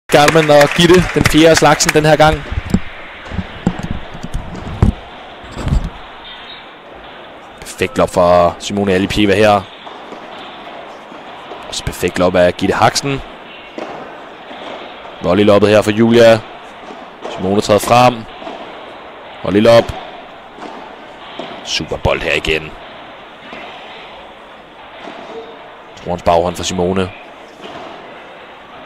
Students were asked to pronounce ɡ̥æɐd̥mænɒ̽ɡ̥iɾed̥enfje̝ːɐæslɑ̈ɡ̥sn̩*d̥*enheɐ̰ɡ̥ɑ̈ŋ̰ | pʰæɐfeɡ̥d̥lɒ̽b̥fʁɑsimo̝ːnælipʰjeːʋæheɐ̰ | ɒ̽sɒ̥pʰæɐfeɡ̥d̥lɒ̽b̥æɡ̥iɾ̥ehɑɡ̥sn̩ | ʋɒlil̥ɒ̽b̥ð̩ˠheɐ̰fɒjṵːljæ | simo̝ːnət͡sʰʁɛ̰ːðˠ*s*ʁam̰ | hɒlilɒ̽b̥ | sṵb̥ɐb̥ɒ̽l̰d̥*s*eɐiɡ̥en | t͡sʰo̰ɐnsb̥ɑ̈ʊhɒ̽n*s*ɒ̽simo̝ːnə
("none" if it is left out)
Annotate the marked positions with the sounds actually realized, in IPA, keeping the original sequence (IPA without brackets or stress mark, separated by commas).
d̥, f, h, f